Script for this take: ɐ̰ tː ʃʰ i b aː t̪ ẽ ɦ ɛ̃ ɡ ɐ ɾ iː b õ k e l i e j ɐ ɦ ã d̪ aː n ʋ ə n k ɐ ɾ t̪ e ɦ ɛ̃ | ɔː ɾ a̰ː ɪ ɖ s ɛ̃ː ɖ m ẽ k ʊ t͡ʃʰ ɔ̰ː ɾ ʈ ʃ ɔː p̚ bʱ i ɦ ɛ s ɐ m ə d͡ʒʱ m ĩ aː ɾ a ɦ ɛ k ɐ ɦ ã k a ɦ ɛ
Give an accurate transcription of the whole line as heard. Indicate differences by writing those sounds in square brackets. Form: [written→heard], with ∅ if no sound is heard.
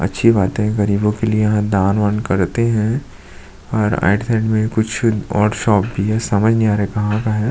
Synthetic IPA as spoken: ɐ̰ tː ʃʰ i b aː t̪ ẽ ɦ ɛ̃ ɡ ɐ ɾ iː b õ k e l i e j ɐ ɦ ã d̪ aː n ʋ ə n k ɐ ɾ t̪ e ɦ ɛ̃ | ɔː ɾ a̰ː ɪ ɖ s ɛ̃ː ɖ m ẽ k ʊ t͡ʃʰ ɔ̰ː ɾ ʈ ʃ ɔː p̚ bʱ i ɦ ɛ s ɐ m ə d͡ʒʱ [m→n] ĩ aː ɾ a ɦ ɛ k ɐ ɦ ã k a ɦ ɛ